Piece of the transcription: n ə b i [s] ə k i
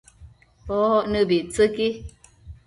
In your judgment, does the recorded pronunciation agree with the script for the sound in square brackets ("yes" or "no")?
no